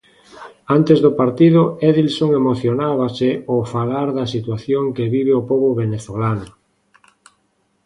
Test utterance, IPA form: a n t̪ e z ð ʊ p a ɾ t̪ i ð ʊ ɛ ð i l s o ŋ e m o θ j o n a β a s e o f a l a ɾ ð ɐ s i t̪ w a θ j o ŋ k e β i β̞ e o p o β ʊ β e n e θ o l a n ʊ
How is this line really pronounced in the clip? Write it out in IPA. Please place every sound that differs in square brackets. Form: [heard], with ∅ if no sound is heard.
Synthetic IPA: a n t̪ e z ð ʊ p a ɾ t̪ i ð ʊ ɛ ð i l s o ŋ e m o θ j o n a β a s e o f a l a ɾ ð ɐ s i t̪ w a θ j o ŋ k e β i β̞ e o p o β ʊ β e n e θ o l a n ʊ

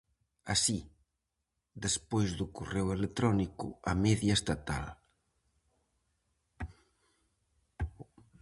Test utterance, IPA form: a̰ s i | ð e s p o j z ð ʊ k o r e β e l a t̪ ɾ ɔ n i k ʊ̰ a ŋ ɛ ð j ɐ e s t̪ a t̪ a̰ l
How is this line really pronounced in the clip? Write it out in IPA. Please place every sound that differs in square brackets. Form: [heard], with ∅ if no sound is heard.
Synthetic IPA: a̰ s i | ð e s p o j z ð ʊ k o r e [w] e l [e] t̪ ɾ ɔ n i k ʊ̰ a [m] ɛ ð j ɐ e s t̪ a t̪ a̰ l

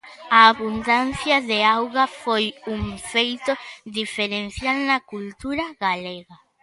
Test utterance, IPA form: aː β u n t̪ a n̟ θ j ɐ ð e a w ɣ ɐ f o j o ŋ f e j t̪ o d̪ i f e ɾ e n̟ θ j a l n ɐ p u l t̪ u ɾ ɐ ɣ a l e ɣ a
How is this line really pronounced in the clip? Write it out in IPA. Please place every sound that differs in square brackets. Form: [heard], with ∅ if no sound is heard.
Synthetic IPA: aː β u n [d̪] a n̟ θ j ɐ ð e a w ɣ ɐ f o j [u] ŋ f e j t̪ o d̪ i f e ɾ e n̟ θ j a l n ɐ [k] u l t̪ u ɾ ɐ ɣ a l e ɣ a

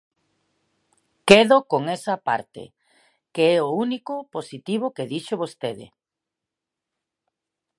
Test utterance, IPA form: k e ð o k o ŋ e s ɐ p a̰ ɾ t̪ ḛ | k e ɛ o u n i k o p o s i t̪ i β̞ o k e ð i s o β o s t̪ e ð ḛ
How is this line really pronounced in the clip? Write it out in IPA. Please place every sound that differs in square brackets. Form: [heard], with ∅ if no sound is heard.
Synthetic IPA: k e ð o k o ŋ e s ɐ p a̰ ɾ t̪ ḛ | k e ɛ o u n i k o p o s i t̪ i β̞ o k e ð i [ʃ] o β o s t̪ e ð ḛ

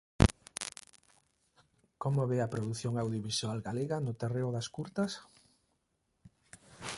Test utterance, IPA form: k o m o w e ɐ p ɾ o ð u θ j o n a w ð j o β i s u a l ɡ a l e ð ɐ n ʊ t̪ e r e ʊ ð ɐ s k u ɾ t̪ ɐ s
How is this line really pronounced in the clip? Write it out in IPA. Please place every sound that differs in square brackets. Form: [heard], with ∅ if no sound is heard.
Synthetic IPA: k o m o [β] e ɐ p ɾ o ð u θ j o [ŋ] a w ð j o β i s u a l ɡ a l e [ɣ] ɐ n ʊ t̪ e r e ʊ ð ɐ s k u ɾ t̪ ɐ s

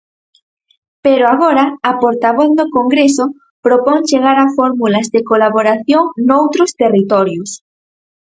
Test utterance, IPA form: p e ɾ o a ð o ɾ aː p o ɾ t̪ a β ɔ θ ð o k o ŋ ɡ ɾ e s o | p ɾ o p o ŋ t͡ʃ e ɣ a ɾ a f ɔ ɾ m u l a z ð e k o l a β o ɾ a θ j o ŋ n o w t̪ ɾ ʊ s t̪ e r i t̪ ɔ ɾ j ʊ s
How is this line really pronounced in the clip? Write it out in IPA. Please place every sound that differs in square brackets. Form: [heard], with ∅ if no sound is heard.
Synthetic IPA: p e ɾ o a [ɣ] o ɾ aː p o ɾ t̪ a β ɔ θ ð o k o ŋ ɡ ɾ e s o | p ɾ o p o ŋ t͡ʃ e ɣ a ɾ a f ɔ ɾ m u l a z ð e k o l a β o ɾ a θ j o ŋ n o w t̪ ɾ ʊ s t̪ e r i t̪ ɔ ɾ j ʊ s

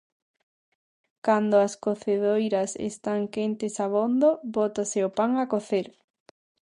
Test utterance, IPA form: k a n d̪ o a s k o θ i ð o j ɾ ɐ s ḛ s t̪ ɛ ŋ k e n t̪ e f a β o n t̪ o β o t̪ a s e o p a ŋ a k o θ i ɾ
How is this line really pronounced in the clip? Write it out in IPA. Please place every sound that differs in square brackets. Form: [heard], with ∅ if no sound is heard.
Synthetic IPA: k a n d̪ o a s k o θ [e] ð o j ɾ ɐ s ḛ s t̪ [a] ŋ k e n t̪ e [s] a β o n [d̪] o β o t̪ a s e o p a ŋ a k o θ [e] ɾ

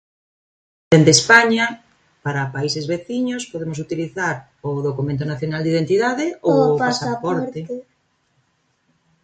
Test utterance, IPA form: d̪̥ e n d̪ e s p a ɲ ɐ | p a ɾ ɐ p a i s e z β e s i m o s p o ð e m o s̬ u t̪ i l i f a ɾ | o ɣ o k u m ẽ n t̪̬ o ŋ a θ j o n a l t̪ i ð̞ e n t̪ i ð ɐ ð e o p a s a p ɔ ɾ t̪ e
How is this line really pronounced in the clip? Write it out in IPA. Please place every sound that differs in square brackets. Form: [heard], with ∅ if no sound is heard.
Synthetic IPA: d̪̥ e n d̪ e s p a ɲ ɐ | p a ɾ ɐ p a i s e z β e [θ] i [ɲ] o s p o ð e m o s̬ u t̪ i l i [θ] a ɾ | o [ð] o k u m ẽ n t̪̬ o [n] a θ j o n a l [d̪] i ð̞ e n t̪ i ð [a] ð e o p a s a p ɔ ɾ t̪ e

